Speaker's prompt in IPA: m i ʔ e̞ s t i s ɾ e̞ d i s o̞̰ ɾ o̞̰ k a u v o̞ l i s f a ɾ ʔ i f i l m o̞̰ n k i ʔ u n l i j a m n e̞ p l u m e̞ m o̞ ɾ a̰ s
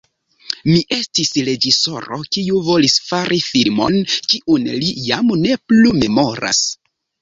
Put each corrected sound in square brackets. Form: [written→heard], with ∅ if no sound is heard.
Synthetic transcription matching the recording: m i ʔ e̞ s t i s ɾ e̞ [d→d͡ʒ] i s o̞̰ ɾ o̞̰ k [a→i] u v o̞ l i s f a ɾ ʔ i f i l m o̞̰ n k i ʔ u n l i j a m n e̞ p l u m e̞ m o̞ ɾ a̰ s